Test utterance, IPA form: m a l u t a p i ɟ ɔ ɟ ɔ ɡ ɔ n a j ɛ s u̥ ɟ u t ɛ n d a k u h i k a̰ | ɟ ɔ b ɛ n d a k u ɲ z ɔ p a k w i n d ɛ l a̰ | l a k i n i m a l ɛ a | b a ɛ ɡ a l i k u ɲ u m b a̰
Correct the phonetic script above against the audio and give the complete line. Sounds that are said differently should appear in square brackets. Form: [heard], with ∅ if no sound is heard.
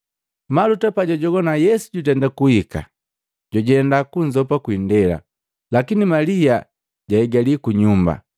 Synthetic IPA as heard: m a l u t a p [a] ɟ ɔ ɟ ɔ ɡ ɔ n a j ɛ s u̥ ɟ u t ɛ n d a k u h i k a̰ | ɟ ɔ [ɟ] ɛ n d a k u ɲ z ɔ p a k w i n d ɛ l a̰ | l a k i n i m a l [i] a | [ɟ] a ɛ ɡ a l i k u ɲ u m b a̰